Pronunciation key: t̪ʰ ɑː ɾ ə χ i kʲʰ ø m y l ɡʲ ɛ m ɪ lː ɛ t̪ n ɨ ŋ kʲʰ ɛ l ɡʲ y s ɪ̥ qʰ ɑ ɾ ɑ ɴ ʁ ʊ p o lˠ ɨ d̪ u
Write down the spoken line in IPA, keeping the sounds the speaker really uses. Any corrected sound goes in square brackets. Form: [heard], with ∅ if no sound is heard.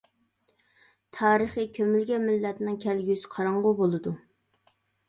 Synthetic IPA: t̪ʰ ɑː ɾ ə χ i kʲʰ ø m y l ɡʲ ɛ m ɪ lː ɛ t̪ n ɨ ŋ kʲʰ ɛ l ɡʲ y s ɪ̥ qʰ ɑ ɾ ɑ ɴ ʁ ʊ [b] o lˠ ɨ d̪ u